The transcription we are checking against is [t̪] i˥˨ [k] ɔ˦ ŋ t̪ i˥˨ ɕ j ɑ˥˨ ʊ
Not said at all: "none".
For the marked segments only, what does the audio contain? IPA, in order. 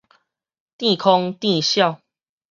t̪, kʰ

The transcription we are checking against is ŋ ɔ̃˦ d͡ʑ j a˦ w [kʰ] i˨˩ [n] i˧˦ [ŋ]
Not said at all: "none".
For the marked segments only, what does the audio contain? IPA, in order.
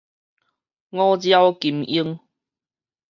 k, m, ŋ

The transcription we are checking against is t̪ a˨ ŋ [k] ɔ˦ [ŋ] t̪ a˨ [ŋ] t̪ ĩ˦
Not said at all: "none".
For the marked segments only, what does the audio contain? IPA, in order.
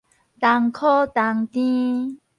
kʰ, none, ŋ

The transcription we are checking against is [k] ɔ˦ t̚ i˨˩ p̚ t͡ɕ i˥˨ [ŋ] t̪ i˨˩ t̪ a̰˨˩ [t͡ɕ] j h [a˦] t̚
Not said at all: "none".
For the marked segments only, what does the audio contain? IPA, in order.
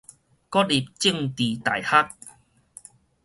k, ŋ, none, a˦

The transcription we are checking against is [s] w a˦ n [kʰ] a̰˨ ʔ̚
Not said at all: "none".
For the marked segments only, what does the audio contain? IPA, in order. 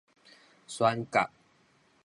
s, k

